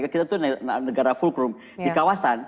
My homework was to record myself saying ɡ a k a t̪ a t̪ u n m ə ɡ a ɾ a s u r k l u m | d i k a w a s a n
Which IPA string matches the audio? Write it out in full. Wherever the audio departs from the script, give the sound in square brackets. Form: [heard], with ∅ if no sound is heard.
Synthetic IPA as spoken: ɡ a k [i] t̪ a t̪ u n [n] ə ɡ a ɾ a [f] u [l] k [ɾ] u m | d i k a w a s a n